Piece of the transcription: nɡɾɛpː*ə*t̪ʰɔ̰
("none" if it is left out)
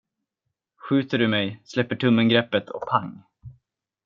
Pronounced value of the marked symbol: ə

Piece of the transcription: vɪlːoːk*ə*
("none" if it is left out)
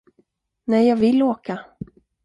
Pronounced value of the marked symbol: a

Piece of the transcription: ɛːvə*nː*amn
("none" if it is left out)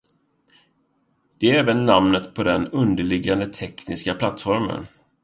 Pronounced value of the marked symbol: nː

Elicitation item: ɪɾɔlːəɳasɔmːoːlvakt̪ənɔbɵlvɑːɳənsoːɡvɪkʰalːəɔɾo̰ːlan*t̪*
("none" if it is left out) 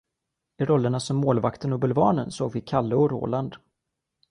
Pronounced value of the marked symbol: d̪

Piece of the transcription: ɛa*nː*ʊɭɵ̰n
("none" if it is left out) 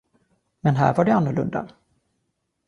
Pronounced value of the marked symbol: nː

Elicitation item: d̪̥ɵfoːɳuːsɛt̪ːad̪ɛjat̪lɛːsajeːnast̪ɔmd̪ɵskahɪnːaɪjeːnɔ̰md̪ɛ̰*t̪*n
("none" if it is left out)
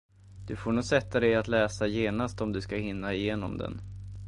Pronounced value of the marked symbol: none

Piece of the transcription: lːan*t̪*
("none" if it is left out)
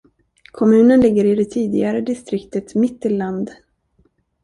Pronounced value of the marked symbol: d̪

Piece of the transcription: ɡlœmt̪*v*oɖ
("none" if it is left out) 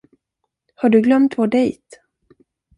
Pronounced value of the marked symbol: v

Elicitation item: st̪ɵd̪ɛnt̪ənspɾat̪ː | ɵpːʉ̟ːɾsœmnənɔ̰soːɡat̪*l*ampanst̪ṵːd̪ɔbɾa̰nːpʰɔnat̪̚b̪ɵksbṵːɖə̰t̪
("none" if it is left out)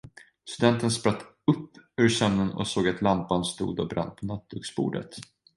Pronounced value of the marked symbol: l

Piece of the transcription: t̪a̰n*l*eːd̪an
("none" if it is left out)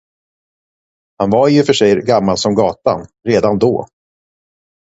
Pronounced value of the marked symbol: ɾ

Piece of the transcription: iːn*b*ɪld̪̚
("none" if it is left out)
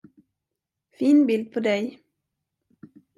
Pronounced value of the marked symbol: b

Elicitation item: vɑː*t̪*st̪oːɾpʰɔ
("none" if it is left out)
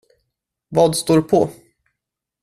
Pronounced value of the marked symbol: d̪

